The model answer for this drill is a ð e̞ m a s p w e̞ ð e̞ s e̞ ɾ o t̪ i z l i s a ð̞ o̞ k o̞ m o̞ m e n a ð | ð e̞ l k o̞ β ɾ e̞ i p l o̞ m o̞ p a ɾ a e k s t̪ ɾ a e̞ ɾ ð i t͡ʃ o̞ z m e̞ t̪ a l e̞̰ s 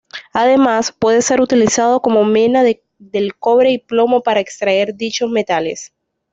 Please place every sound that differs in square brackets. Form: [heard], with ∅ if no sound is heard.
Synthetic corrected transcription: a ð e̞ m a s p w e̞ ð e̞ s e̞ ɾ [u] t̪ i [∅] l i s a ð̞ o̞ k o̞ m o̞ m e n a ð | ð e̞ l k o̞ β ɾ e̞ i p l o̞ m o̞ p a ɾ a e k s t̪ ɾ a e̞ ɾ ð i t͡ʃ o̞ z m e̞ t̪ a l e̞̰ s